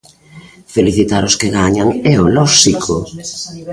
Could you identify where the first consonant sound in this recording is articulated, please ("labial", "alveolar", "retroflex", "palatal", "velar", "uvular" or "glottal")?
labial